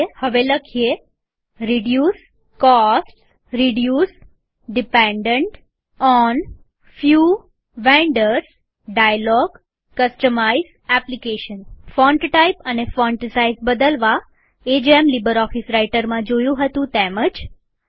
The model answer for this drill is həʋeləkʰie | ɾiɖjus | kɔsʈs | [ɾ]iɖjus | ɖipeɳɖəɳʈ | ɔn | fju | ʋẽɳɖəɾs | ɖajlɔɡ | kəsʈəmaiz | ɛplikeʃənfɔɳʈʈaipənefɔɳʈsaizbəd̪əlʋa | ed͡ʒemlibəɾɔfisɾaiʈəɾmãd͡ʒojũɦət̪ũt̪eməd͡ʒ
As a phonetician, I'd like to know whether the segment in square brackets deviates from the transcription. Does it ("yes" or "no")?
no